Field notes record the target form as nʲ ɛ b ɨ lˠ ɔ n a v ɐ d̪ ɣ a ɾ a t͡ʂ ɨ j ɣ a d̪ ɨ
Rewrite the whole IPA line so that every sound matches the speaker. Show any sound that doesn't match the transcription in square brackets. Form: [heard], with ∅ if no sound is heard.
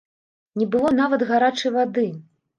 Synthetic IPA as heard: nʲ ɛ b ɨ lˠ ɔ n a v ɐ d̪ ɣ a ɾ a t͡ʂ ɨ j [v] a d̪ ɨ